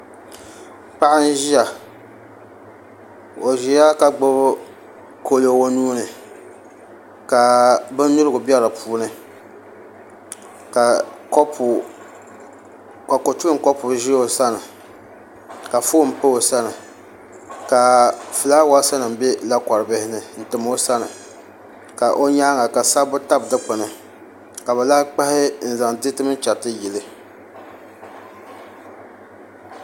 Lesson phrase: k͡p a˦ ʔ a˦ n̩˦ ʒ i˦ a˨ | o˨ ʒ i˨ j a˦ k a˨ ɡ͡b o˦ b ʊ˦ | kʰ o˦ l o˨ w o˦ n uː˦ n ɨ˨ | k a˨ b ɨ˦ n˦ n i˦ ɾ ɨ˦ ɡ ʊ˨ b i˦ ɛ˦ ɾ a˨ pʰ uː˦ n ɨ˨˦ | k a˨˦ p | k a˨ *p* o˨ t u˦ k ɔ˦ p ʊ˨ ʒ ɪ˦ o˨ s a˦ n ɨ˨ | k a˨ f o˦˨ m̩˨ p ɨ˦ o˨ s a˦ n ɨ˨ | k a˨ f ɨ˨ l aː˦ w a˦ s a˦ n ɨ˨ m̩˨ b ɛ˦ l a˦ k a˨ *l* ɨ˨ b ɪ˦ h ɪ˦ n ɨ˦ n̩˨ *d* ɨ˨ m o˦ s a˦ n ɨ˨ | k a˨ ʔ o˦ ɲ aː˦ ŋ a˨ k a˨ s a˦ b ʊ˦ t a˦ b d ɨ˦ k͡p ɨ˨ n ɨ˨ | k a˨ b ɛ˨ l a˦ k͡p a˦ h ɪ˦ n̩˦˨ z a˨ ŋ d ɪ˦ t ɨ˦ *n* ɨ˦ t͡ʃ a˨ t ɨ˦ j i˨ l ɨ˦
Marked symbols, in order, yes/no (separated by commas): no, no, no, no